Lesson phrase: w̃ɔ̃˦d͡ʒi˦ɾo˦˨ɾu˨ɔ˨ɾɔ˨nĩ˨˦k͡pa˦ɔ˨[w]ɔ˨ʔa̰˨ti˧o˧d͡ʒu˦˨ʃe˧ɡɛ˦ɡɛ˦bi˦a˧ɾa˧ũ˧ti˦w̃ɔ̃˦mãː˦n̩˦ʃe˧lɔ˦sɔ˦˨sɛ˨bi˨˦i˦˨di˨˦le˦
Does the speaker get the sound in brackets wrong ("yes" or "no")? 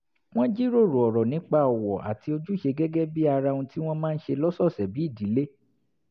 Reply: no